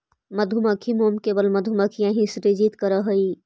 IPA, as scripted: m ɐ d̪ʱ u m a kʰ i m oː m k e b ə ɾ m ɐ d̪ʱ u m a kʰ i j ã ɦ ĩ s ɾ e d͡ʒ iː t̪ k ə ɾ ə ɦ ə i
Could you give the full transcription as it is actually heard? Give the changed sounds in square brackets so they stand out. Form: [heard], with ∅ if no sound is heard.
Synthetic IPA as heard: m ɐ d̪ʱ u m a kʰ i m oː m k e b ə [l] m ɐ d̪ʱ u m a kʰ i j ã ɦ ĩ s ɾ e d͡ʒ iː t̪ k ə ɾ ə ɦ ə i